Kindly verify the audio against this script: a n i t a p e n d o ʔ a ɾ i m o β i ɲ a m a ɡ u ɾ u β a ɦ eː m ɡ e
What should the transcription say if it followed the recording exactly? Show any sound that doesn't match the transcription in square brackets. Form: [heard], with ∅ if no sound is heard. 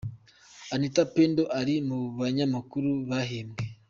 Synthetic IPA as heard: a n i t a p e n d o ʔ a ɾ i m [u] β [a] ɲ a m a [k] u ɾ u β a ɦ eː m ɡ e